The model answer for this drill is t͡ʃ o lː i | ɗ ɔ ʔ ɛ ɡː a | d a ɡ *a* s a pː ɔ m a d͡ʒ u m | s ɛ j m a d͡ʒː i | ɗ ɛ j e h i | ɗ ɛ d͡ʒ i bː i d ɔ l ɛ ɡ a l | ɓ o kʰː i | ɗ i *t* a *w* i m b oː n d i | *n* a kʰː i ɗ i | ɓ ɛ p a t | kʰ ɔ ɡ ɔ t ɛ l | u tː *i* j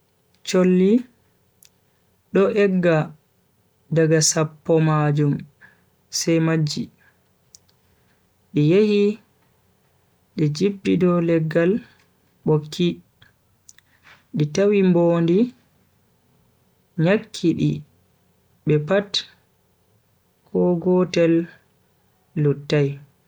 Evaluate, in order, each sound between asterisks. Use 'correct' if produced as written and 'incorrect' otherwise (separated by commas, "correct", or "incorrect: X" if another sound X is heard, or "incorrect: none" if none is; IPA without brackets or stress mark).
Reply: correct, correct, correct, incorrect: ɲ, incorrect: a